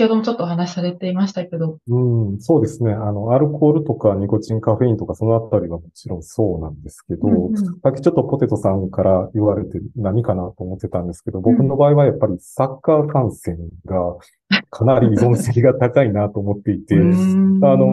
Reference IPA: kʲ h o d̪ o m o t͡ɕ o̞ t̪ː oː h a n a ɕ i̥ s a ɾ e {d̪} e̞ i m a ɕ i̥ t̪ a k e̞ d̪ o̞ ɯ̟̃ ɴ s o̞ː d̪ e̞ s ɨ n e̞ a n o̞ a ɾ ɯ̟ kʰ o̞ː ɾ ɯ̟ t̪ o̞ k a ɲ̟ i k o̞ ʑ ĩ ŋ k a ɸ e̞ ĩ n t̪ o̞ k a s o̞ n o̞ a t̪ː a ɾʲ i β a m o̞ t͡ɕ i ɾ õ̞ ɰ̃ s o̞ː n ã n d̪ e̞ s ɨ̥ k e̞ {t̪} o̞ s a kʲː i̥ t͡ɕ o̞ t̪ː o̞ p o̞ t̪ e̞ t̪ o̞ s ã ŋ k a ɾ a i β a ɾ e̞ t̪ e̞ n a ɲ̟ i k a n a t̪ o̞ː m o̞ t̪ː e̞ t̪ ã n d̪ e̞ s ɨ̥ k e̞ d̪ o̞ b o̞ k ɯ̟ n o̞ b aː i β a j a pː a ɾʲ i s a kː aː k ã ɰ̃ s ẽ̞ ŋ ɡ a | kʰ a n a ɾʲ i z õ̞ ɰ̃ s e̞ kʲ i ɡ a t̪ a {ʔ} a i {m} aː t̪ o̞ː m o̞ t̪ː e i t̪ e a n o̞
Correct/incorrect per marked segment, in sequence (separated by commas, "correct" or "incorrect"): incorrect, incorrect, incorrect, incorrect